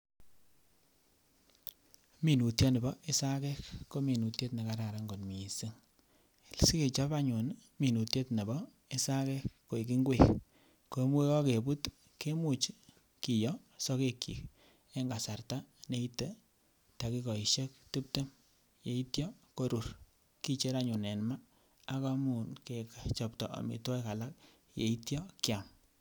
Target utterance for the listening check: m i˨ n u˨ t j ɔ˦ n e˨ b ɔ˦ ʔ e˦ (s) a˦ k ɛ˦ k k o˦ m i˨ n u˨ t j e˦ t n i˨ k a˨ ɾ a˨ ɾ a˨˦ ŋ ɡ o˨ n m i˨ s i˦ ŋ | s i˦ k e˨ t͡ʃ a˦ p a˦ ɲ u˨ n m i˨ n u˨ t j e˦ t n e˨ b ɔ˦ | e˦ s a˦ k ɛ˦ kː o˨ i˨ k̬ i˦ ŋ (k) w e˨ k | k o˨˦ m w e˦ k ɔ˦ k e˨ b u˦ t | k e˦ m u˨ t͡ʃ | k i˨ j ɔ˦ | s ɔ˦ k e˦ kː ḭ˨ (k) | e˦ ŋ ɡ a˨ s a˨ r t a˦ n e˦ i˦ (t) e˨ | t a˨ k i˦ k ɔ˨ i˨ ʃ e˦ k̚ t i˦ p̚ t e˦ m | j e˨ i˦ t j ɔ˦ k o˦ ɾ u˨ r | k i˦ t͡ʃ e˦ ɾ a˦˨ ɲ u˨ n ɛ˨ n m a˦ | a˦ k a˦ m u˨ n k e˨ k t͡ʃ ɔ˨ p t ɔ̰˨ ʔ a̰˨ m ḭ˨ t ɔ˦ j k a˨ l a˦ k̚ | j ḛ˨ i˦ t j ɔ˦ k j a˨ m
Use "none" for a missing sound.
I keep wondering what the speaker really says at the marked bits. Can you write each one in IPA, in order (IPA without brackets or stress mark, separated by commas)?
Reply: s, ɡ, k, t